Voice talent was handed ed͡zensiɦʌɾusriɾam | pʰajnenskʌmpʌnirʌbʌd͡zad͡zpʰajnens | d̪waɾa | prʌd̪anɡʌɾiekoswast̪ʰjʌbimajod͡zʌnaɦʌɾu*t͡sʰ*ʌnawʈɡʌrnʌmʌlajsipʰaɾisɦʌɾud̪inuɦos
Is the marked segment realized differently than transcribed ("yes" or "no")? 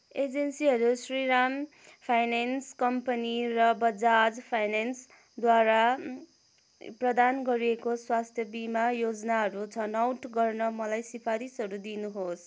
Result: no